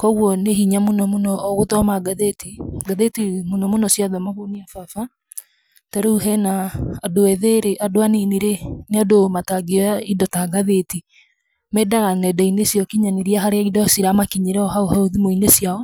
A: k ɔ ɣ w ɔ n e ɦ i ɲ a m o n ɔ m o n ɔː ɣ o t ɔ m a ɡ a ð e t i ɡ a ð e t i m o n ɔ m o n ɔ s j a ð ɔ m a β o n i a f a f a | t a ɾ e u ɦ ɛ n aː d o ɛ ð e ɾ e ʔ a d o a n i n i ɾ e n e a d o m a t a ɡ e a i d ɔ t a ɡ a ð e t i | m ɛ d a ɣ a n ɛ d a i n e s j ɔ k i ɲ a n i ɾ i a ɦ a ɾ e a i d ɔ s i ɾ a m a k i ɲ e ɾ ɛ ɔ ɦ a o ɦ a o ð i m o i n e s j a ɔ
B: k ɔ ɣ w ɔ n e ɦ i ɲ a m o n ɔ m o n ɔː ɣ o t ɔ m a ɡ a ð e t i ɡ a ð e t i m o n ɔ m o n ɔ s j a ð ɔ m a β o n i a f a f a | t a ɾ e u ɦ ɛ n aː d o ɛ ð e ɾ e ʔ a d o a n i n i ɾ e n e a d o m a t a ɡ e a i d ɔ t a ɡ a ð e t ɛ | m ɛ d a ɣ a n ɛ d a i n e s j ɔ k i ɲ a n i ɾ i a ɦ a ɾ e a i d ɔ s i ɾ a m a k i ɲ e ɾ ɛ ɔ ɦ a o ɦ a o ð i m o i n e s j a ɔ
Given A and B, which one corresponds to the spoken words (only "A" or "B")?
A